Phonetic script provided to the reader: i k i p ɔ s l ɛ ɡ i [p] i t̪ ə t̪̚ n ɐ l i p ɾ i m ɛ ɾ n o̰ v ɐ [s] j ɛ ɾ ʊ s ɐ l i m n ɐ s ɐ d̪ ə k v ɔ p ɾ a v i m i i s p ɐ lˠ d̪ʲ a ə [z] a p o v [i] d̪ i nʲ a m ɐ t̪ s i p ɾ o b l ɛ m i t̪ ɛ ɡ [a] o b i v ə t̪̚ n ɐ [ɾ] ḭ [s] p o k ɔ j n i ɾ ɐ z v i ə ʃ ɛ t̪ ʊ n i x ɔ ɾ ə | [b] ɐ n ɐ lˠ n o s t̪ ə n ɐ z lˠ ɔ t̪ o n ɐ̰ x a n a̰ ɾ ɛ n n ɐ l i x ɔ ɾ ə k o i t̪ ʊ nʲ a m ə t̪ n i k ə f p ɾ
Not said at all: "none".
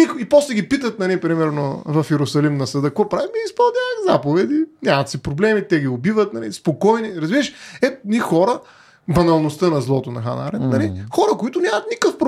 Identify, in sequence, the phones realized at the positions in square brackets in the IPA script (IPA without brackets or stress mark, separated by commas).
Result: p, f, z, ɛ, i, l, s, b